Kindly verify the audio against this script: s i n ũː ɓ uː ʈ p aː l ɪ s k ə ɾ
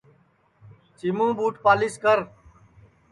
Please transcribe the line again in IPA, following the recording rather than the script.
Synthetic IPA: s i m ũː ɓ uː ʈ p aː l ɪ s k ə ɾ